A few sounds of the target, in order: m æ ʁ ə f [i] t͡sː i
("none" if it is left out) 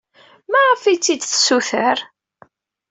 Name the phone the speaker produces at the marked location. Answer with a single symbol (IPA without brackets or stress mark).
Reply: i